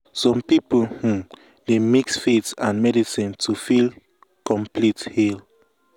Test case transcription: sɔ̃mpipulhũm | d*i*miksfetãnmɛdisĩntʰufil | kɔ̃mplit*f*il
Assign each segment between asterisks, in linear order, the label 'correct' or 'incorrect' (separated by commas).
incorrect, incorrect